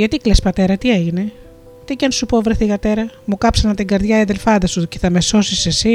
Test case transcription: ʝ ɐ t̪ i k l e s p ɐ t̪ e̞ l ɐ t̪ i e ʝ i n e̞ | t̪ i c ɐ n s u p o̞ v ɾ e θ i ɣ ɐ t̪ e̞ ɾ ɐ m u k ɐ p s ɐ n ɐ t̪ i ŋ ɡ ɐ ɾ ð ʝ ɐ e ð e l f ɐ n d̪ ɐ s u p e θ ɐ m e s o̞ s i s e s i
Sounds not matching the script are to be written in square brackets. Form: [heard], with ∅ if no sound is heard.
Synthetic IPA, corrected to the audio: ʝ ɐ t̪ i k l e s p ɐ t̪ e̞ [ɾ] ɐ t̪ i e ʝ i n e̞ | t̪ i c ɐ n s u p o̞ v ɾ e θ i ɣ ɐ t̪ e̞ ɾ ɐ m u k ɐ p s ɐ n ɐ t̪ i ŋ ɡ ɐ ɾ ð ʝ ɐ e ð e l f ɐ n d̪ ɐ s u [c] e θ ɐ m e s o̞ s i s e s i